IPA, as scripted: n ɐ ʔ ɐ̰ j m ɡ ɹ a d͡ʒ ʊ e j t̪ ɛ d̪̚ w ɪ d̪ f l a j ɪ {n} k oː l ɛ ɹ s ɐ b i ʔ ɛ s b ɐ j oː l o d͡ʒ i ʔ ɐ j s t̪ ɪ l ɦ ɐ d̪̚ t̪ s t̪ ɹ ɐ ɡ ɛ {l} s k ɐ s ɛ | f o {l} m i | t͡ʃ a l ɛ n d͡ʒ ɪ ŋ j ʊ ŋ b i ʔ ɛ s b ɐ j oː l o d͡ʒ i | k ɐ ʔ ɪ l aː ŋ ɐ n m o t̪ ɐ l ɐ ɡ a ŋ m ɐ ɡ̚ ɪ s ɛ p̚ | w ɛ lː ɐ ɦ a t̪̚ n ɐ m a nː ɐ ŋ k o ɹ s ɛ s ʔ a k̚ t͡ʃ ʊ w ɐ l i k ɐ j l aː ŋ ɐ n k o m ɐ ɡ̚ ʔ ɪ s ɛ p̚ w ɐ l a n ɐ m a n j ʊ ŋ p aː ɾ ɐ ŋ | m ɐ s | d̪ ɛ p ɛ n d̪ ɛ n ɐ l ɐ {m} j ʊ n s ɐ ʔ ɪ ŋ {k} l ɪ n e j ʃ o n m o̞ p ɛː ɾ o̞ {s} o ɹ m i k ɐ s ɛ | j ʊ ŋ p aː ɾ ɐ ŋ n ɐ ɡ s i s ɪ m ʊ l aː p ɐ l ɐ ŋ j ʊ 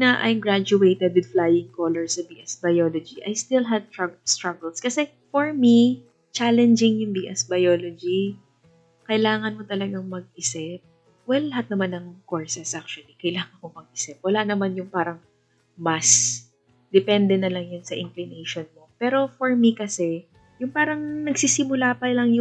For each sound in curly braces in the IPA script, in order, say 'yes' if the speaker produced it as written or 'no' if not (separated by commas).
no, yes, no, no, yes, no